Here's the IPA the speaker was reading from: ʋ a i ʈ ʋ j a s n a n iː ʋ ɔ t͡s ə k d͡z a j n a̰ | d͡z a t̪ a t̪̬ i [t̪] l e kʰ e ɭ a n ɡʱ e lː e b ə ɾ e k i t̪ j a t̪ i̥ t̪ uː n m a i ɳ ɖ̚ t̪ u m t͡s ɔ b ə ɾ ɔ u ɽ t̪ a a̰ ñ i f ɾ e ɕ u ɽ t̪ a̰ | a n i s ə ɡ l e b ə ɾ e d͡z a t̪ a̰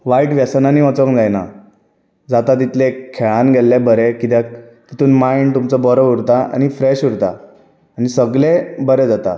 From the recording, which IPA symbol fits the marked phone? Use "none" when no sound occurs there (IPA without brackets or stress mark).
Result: t̪